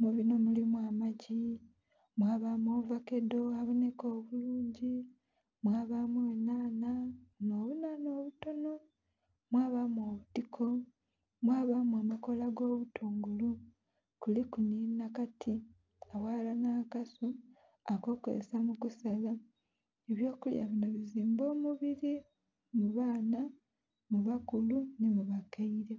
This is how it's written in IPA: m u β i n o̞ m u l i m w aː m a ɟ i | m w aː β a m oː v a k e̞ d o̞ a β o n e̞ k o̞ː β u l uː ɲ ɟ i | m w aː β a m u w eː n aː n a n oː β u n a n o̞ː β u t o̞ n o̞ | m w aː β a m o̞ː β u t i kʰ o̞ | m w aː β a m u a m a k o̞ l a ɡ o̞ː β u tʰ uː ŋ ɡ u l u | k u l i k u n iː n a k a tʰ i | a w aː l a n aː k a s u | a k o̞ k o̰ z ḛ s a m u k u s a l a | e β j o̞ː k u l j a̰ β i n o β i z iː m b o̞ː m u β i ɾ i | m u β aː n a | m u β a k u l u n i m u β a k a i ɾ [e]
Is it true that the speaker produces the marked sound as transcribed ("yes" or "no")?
yes